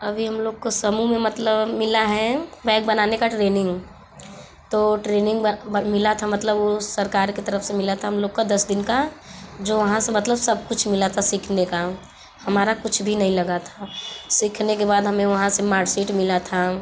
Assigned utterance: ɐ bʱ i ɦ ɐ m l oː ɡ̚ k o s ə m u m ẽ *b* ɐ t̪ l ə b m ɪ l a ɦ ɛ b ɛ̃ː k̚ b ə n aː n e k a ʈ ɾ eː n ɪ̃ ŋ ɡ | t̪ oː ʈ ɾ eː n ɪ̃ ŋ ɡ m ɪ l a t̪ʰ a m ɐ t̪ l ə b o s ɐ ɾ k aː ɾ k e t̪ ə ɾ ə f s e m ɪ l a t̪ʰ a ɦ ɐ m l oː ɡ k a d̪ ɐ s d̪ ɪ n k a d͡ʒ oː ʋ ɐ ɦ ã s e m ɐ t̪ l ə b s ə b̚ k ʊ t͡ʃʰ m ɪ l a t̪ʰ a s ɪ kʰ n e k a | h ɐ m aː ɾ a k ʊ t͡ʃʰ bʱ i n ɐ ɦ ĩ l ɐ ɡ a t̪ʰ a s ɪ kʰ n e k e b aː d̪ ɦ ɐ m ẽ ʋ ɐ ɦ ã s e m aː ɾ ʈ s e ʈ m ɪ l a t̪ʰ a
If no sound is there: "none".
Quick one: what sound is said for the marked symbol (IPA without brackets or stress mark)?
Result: m